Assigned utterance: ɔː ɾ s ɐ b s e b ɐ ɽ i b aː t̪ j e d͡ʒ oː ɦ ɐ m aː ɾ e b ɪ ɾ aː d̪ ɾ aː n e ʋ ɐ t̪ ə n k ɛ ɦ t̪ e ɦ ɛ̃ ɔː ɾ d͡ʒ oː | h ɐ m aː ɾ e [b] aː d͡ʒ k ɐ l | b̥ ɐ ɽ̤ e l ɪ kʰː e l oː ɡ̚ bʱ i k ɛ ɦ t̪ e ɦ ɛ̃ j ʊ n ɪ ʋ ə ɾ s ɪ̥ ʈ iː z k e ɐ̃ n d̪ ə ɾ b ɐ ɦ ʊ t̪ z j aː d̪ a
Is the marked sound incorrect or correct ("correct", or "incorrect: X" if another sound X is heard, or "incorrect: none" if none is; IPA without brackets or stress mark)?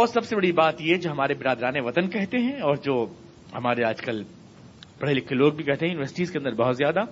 incorrect: none